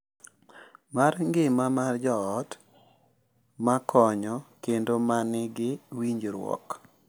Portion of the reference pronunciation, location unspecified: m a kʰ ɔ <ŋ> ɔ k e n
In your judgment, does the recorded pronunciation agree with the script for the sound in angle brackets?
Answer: no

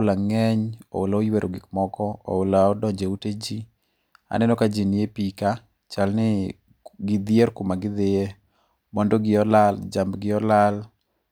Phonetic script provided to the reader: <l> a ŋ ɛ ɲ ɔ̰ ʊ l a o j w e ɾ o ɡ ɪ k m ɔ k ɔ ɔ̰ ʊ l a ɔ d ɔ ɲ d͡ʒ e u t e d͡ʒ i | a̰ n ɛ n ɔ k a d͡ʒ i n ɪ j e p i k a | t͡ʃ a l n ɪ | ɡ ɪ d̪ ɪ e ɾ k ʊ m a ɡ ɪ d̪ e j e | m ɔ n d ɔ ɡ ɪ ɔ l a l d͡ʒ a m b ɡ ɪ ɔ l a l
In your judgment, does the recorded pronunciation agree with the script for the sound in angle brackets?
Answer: yes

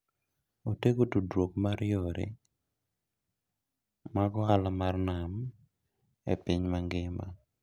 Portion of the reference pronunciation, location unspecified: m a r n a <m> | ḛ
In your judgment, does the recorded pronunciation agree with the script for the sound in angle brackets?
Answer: yes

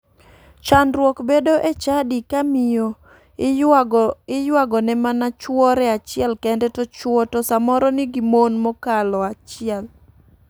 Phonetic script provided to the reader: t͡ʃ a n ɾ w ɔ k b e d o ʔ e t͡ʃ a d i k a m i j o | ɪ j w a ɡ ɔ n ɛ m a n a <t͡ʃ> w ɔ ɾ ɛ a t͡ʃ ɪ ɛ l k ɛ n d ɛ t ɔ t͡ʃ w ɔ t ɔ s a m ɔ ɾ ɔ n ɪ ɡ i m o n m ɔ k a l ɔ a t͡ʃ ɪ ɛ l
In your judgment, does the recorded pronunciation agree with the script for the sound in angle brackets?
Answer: yes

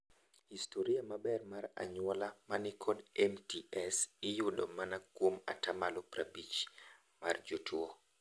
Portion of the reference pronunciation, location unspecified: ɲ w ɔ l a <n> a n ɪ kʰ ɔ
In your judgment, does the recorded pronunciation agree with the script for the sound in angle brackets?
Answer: no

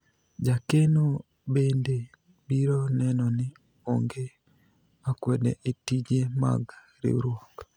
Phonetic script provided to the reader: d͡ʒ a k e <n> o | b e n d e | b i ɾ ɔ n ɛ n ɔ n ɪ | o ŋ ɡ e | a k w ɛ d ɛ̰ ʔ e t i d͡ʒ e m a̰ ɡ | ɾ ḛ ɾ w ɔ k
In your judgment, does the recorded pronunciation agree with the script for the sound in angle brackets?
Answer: yes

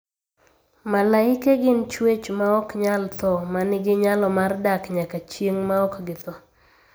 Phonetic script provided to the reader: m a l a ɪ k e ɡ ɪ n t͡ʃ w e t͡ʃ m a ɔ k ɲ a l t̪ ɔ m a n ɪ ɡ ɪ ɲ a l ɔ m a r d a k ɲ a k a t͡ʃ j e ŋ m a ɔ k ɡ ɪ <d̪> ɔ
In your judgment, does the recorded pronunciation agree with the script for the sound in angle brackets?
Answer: no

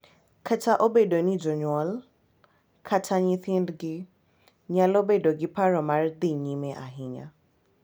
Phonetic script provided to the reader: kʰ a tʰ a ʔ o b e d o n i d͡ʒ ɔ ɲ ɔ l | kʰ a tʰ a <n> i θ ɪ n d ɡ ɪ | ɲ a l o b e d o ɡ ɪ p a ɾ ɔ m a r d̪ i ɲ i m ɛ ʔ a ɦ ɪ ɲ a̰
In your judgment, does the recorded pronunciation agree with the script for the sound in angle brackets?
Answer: no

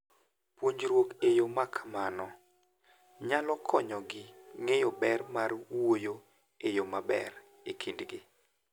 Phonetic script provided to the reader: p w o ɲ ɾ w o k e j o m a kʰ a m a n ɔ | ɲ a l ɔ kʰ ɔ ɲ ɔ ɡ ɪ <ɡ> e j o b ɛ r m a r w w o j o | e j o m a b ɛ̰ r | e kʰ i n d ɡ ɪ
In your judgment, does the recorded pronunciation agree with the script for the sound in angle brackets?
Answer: no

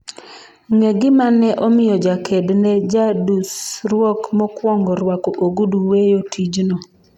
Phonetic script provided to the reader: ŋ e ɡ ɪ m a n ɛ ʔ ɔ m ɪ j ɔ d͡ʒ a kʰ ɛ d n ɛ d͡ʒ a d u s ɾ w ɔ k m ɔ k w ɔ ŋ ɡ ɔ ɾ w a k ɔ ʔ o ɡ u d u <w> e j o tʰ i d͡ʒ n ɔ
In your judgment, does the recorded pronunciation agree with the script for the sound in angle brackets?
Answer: yes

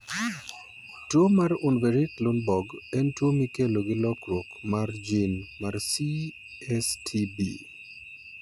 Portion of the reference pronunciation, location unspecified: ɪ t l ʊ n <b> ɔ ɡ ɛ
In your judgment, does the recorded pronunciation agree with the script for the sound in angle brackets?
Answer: yes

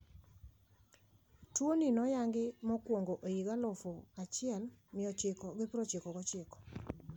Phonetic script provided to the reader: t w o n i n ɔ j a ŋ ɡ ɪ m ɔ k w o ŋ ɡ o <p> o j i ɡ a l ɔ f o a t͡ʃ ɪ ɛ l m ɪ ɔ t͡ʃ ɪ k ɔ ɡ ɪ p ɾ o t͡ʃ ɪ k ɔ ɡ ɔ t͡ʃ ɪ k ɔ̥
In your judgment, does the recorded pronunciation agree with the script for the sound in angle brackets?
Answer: no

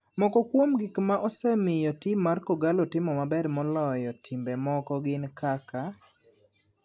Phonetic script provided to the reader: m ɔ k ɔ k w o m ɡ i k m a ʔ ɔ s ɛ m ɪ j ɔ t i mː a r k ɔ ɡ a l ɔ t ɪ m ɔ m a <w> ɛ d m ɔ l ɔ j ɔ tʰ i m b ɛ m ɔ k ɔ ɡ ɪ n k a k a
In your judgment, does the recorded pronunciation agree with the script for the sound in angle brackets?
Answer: no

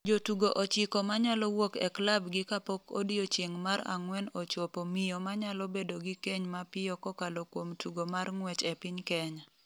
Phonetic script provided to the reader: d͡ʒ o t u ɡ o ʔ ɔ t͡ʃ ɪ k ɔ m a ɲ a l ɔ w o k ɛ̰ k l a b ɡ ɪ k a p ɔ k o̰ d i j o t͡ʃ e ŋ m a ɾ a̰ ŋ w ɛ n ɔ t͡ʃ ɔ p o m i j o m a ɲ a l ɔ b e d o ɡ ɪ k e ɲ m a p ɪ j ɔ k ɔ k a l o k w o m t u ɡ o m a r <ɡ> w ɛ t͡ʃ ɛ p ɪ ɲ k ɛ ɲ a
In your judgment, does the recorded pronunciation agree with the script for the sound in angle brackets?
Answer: no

